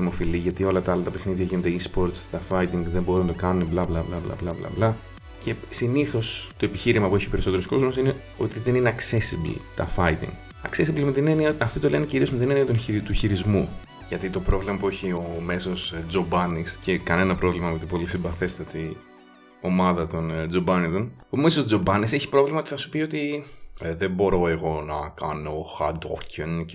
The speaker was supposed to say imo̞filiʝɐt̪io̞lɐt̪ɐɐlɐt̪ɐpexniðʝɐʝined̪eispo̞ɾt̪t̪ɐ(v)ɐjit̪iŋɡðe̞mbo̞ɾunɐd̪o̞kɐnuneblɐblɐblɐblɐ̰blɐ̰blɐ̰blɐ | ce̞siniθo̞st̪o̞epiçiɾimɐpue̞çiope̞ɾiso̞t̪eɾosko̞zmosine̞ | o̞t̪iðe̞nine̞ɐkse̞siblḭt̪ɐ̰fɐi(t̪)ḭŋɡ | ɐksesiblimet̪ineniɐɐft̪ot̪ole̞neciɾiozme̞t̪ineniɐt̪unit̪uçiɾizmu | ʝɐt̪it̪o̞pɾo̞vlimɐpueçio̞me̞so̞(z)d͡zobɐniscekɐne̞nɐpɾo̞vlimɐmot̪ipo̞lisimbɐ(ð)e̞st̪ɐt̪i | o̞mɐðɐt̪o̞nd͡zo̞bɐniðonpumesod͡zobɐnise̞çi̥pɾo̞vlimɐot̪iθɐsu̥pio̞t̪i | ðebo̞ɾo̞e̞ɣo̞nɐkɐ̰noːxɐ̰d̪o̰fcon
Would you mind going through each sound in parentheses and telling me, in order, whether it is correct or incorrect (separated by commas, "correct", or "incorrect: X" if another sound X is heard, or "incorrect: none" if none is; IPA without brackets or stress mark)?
incorrect: f, correct, incorrect: s, incorrect: θ